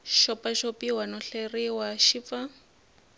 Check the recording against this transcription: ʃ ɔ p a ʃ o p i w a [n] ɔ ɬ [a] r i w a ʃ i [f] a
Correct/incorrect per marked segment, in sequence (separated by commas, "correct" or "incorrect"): correct, incorrect, correct